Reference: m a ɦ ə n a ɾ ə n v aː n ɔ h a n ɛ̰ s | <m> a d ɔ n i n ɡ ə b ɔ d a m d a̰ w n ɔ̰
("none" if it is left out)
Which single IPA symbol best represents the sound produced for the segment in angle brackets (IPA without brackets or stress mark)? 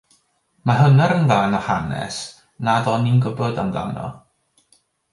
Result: n